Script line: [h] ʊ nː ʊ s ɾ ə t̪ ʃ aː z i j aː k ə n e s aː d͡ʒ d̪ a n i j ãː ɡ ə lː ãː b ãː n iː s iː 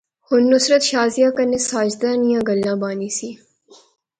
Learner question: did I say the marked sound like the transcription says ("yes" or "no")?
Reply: yes